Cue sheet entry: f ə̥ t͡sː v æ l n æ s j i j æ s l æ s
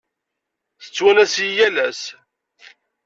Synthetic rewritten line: θ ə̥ t͡sː w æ n æ s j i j æ l æ s